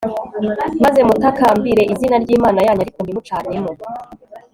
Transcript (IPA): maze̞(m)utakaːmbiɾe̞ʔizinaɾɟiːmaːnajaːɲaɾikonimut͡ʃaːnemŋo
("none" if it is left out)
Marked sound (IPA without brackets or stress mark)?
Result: m